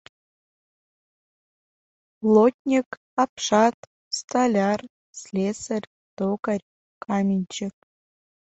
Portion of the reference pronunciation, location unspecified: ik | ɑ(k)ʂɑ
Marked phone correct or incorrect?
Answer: incorrect